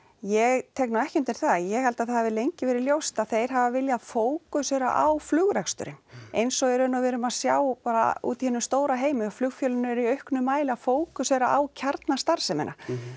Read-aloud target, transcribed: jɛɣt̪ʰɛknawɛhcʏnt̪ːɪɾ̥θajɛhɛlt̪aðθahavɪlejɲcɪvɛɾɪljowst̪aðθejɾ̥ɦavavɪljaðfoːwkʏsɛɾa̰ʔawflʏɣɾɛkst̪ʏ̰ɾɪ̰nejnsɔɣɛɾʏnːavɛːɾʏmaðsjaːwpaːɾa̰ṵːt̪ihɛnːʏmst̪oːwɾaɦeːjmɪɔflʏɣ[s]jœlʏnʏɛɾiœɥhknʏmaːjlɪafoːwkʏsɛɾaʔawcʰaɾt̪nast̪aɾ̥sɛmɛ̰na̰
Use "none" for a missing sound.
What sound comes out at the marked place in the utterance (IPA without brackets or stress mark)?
f